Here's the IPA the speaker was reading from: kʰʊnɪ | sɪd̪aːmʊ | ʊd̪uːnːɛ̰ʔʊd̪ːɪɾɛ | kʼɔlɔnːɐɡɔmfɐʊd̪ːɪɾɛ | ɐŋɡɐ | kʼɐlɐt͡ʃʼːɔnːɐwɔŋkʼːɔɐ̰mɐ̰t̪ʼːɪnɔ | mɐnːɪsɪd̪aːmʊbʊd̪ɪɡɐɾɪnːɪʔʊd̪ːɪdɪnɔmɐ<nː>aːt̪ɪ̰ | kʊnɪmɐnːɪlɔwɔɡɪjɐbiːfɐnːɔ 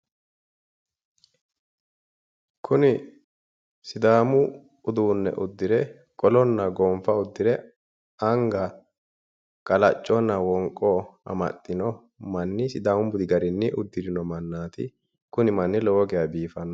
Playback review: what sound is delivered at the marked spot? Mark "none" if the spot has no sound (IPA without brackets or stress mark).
nː